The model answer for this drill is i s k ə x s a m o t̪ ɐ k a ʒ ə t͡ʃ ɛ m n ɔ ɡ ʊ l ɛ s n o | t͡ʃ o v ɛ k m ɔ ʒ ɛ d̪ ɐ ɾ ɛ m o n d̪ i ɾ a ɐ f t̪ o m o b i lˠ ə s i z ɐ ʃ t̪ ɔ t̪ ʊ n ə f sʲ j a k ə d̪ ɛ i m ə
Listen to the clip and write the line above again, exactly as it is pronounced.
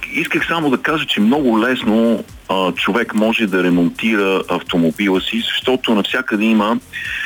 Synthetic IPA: i s k ə x s a m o d̪ ɐ k a ʒ ə t͡ʃ ɛ m n ɔ ɡ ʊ l ɛ s n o | t͡ʃ o v ɛ k m ɔ ʒ ɛ d̪ ɐ ɾ ɛ m o n t̪ i ɾ ə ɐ f t̪ o m o b i lˠ ə s i z ɐ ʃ t̪ ɔ t̪ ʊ n ɐ f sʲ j a k ə d̪ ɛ i m ə